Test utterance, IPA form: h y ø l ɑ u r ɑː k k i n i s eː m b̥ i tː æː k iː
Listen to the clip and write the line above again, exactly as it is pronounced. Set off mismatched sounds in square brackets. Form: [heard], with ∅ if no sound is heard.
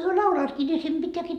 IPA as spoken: h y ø l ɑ u [l] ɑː [t] k i n i s [e] m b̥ i tː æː k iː